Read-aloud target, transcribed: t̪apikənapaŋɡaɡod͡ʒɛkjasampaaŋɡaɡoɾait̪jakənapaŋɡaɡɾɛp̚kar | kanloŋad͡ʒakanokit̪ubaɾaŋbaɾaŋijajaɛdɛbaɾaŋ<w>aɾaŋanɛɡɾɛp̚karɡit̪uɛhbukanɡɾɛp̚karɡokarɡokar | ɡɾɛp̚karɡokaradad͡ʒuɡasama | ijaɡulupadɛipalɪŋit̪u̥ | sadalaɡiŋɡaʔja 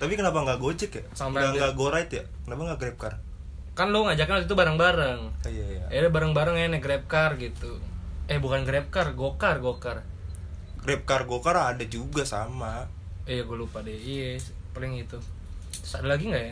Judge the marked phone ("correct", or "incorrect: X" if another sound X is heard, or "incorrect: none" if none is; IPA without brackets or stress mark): incorrect: b